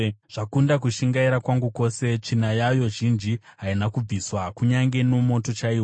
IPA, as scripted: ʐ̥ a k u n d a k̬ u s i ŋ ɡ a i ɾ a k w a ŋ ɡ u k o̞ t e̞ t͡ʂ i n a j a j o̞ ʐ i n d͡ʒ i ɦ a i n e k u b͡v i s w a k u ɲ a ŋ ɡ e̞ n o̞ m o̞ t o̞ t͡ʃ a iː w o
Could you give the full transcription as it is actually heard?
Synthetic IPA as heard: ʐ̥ a k u n d a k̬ u ʃ i ŋ ɡ a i ɾ a k w a ŋ ɡ u k o̞ s e̞ t͡ʂ i n a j a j o̞ ʒ i n d͡ʒ i ɦ a i n a k u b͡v i s w a k u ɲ a ŋ ɡ e̞ n o̞ m o̞ t o̞ t͡ʃ a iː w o